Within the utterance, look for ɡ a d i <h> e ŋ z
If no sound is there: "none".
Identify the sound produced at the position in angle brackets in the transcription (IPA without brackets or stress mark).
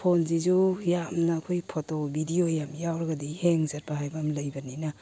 h